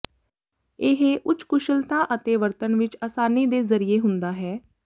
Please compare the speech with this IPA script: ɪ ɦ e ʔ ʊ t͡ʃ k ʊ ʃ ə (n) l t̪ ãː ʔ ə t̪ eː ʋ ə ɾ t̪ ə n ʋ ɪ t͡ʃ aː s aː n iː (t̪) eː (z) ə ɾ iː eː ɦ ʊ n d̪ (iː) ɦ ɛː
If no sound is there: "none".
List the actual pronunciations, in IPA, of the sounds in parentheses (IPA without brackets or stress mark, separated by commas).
none, d̪, z, aː